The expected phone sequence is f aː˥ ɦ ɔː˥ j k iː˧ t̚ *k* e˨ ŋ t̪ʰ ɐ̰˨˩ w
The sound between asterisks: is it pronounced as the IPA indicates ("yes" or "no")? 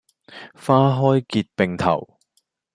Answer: no